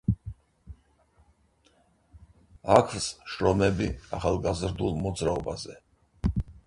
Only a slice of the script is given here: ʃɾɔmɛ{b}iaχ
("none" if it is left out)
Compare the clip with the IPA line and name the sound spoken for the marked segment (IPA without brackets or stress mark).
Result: b